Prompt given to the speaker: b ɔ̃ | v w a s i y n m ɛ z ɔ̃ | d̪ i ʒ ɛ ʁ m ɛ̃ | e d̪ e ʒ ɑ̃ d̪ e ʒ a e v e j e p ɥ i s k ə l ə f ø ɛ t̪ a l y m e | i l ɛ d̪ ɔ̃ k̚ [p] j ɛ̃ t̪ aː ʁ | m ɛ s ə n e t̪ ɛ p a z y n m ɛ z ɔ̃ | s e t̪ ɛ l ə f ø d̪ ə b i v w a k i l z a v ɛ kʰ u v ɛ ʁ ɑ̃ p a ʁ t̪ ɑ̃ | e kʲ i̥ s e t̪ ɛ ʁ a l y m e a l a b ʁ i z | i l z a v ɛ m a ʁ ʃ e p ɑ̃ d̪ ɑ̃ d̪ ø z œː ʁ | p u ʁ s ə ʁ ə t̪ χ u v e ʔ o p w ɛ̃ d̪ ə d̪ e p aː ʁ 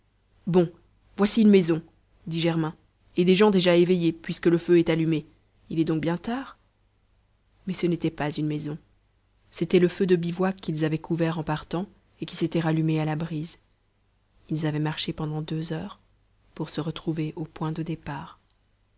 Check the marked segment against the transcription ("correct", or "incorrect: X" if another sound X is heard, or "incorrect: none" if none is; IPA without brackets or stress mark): incorrect: b